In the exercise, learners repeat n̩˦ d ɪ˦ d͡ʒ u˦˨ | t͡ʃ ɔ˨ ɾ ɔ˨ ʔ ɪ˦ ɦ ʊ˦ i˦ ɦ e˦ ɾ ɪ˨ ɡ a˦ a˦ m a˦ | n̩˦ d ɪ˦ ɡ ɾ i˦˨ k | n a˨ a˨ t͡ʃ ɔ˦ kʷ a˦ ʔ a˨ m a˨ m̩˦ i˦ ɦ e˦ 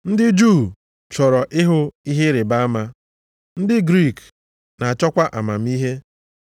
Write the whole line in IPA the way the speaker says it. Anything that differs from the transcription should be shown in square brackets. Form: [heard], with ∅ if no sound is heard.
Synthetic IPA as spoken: n̩˦ d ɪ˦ d͡ʒ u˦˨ | t͡ʃ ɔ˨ ɾ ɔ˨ ʔ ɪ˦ ɦ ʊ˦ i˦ ɦ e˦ ɾ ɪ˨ [b] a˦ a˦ m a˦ | n̩˦ d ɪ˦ ɡ ɾ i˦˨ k | n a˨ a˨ t͡ʃ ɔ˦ kʷ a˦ ʔ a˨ m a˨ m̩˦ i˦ ɦ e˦